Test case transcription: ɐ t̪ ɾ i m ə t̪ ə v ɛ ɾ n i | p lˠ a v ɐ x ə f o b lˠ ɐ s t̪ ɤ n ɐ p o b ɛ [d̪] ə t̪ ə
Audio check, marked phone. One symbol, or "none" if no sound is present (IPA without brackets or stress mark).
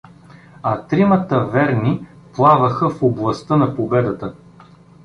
d̪